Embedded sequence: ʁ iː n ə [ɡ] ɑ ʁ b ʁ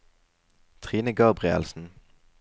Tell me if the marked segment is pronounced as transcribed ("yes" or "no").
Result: yes